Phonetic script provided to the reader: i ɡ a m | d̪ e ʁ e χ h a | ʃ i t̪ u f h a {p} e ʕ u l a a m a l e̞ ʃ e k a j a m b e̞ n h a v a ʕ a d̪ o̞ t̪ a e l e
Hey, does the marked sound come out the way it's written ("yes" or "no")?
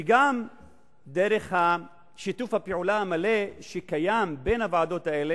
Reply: yes